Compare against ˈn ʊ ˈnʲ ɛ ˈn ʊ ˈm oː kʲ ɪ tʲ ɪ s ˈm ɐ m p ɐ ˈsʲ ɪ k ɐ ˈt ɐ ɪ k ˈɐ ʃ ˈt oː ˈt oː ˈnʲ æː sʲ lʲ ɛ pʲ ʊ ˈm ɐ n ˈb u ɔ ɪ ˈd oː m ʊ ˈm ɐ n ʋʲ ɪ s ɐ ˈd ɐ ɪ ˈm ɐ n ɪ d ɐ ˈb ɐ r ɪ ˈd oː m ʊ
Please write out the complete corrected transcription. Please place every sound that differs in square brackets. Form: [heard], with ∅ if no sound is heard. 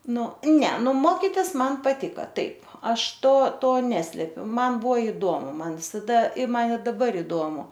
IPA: ˈn ʊ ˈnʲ ɛ ˈn ʊ ˈm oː kʲ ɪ tʲ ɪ s ˈm ɐ [n] p ɐ [ˈtʲ] ɪ k ɐ ˈt ɐ ɪ [p] ˈɐ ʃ ˈt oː ˈt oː ˈnʲ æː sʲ lʲ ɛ pʲ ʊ ˈm ɐ n ˈb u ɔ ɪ ˈd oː m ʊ ˈm ɐ n ʋʲ ɪ s ɐ ˈd ɐ ɪ ˈm ɐ n ɪ d ɐ ˈb ɐ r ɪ ˈd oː m ʊ